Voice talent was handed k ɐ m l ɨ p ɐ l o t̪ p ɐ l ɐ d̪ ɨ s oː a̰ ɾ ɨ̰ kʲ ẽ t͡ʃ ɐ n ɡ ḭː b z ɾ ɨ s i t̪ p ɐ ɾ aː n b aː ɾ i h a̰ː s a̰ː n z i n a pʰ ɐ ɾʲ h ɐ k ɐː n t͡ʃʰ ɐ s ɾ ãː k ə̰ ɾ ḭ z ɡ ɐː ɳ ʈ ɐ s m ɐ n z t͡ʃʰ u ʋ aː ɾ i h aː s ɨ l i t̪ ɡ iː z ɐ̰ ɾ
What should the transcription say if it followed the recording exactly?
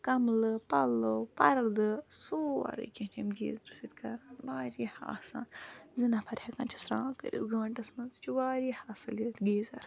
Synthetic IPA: k ɐ m l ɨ p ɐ l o p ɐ ɾ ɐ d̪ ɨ s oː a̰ ɾ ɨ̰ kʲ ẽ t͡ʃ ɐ m ɡ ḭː z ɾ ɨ s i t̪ k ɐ ɾ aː n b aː ɾ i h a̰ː s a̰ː n z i n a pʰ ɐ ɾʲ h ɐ k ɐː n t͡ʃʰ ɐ s ɾ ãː k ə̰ ɾ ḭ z ɡ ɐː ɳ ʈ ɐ s m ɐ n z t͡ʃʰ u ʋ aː ɾ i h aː s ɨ l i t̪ ɡ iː z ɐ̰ ɾ

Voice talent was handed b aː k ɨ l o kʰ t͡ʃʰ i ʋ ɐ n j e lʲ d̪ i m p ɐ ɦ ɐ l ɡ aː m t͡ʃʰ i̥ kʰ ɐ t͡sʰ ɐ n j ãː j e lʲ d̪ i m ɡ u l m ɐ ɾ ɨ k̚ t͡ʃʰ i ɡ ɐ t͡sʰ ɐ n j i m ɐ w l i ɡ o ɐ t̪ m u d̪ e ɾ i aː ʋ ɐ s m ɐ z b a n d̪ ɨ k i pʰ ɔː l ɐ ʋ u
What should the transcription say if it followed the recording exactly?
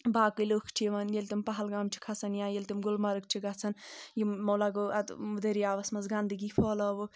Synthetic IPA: b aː k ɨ l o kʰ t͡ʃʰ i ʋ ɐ n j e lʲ t̪ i m p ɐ ɦ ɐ l ɡ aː m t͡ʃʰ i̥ kʰ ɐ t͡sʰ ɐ n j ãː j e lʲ t̪ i m ɡ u l m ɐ ɾ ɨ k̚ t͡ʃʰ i ɡ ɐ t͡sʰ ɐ n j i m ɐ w l a ɡ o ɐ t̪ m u d̪ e ɾ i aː ʋ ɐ s m ɐ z ɡ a n d̪ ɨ ɡ i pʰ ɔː l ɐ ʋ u

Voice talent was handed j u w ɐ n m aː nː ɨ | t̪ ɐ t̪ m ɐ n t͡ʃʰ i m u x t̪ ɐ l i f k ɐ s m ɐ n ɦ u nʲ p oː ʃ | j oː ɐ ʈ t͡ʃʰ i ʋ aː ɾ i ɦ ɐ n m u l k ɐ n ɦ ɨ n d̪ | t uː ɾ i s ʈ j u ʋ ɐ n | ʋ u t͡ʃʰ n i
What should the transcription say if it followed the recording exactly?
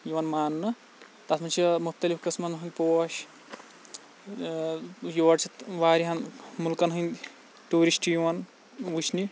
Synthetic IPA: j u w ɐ n m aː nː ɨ | t̪ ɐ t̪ m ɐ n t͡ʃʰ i m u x t̪ ɐ l i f k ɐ s m ɐ n ɦ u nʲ p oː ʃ | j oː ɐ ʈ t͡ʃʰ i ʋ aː ɾ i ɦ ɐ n m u l k ɐ n ɦ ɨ n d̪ | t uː ɾ i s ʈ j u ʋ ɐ n | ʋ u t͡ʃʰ n i

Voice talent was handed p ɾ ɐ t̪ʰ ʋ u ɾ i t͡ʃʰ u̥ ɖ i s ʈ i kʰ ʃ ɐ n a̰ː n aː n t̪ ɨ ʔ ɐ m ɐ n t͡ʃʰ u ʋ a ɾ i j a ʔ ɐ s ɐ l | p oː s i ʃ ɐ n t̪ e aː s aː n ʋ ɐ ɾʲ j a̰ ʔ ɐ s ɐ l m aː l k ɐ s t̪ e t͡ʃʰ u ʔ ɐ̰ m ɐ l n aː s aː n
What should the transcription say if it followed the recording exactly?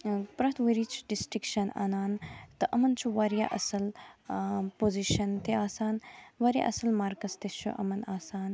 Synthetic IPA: p ɾ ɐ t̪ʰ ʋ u ɾ i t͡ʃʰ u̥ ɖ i s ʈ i k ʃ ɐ n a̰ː n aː n t̪ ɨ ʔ ɐ m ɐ n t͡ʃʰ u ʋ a ɾ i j a ʔ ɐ s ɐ l | p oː z i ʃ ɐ n t̪ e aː s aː n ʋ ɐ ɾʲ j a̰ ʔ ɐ s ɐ l m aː ɾ k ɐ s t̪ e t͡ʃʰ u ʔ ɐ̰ m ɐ n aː s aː n

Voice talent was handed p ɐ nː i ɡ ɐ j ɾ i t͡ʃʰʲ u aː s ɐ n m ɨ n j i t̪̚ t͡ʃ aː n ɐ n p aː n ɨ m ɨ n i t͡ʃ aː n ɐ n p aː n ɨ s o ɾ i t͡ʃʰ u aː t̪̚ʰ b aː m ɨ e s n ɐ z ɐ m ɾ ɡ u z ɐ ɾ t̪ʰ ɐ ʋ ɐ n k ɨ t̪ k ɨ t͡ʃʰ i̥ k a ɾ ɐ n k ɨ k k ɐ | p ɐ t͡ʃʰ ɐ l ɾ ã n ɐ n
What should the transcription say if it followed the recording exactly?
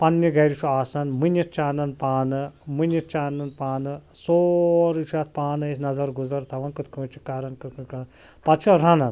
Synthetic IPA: p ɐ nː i ɡ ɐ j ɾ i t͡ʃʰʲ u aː s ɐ n m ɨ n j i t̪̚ t͡ʃ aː n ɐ n p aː n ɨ m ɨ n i t͡ʃ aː n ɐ n p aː n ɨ s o ɾ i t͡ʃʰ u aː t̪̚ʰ p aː n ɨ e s n ɐ z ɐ ɾ ɡ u z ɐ ɾ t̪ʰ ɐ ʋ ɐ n k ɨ t̪ k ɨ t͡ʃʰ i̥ k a ɾ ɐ n k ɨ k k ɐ | p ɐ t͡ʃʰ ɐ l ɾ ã n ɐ n

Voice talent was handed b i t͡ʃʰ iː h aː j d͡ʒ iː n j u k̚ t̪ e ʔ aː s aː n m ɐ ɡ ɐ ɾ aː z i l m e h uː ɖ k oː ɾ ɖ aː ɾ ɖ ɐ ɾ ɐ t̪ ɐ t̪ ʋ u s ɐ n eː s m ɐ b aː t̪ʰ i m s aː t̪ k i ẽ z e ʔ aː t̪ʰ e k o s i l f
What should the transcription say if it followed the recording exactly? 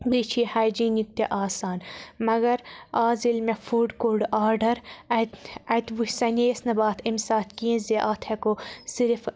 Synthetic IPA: b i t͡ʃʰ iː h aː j d͡ʒ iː n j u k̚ t̪ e ʔ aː s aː n m ɐ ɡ ɐ ɾ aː z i l m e f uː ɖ k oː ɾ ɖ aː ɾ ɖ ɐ ɾ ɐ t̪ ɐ t̪ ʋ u s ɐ n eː s n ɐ b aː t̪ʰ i m s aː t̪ k i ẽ z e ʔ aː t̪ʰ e k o s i ɾ f

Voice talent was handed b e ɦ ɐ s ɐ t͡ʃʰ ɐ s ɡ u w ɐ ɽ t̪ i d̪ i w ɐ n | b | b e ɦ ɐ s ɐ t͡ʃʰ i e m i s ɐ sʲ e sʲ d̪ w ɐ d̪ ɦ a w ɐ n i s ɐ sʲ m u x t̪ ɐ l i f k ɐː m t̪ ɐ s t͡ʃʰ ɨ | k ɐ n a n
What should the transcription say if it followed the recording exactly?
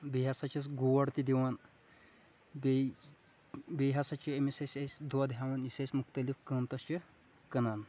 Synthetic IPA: b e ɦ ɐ s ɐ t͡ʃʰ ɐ s ɡ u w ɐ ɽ t̪ i d̪ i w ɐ n | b | b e ɦ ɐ s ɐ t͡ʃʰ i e m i s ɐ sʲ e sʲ d̪ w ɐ d̪ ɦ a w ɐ n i s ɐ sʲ m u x t̪ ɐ l i f k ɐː m t̪ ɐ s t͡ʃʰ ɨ | k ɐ n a n

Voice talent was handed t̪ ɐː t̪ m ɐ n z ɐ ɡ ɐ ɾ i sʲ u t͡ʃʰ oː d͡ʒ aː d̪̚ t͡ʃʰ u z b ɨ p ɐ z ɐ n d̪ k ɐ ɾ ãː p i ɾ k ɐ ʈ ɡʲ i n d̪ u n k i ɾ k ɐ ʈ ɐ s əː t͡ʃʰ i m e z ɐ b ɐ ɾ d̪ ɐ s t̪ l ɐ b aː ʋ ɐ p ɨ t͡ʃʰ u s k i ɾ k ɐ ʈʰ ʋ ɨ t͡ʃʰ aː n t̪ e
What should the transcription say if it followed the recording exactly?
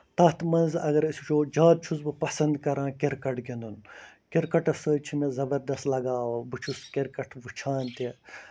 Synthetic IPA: t̪ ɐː t̪ m ɐ n z ɐ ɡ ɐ ɾ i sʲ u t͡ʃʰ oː d͡ʒ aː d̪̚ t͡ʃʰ u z b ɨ p ɐ s ɐ n d̪ k ɐ ɾ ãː k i ɾ k ɐ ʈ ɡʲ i n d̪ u n k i ɾ k ɐ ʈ ɐ s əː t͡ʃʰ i m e z ɐ b ɐ ɾ d̪ ɐ s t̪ l ɐ ɡ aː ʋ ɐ b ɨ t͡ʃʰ u s k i ɾ k ɐ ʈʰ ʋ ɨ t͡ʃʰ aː n t̪ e

